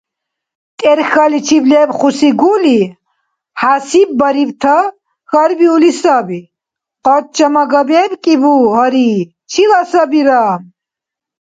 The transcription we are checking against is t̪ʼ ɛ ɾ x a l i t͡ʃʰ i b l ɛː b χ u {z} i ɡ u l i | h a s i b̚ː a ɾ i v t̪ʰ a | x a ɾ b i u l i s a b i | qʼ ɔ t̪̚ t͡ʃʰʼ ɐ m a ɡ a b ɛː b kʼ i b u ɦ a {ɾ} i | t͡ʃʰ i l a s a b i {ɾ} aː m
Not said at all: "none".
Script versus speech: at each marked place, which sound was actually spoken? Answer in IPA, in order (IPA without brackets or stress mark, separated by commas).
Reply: s, ɾ, ɾ